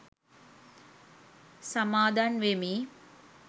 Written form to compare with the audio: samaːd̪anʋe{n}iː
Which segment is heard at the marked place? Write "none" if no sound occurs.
m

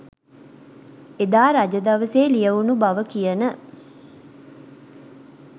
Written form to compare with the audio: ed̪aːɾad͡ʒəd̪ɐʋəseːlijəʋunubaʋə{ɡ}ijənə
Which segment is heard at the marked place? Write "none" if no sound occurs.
k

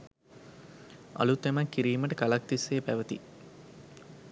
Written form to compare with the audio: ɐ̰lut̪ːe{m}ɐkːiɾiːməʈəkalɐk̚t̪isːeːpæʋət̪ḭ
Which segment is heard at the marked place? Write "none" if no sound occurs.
m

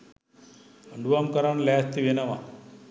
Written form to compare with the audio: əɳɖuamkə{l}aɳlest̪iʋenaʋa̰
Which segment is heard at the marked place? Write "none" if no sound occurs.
ɾ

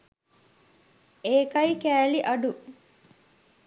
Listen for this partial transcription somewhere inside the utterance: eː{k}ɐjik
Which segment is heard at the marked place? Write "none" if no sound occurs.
k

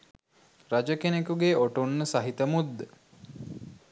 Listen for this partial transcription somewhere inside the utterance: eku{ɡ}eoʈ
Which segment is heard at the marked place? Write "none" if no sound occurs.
ɡ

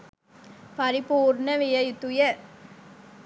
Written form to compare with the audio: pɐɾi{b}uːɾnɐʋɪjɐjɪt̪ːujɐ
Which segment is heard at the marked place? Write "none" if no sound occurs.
p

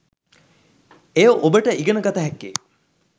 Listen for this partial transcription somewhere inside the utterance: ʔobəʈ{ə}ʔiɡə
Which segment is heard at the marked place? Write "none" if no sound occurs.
ə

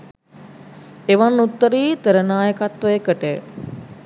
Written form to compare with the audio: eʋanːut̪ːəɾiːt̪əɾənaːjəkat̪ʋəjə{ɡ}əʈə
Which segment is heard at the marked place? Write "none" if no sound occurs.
k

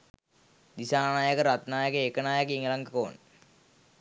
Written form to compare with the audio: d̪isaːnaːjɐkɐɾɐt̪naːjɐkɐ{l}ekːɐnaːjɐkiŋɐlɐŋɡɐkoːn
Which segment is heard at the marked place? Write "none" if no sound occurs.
none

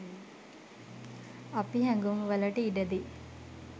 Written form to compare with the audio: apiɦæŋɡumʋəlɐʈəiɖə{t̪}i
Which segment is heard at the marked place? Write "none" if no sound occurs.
d̪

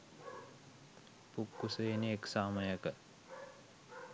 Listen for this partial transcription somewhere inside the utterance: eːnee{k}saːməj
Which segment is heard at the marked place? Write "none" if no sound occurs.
k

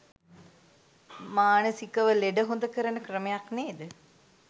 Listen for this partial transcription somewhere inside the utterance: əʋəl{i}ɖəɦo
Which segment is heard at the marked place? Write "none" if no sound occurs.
e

